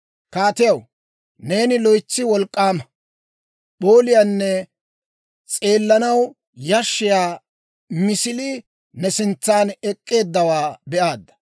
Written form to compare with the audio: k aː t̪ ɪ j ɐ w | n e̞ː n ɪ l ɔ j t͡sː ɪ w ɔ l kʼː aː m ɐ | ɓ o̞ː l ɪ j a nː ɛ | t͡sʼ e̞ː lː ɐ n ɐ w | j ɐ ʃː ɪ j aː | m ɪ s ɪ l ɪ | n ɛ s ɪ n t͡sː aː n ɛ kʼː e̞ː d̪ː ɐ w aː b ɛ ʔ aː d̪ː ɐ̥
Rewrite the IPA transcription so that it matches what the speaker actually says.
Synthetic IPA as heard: k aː t̪ ɪ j ɐ w | n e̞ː n ɪ l ɔ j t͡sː ɪ w ɔ l kʼː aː m ɐ | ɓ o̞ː l ɪ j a nː ɛ | t͡sʼ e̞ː lː ɐ n ɐ w | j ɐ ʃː ɪ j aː | m ɪ s ɪ l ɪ | n ɛ s ɪ n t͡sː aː n ɛ kʼː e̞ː d̪ː ɐ w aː b ɛ ʔ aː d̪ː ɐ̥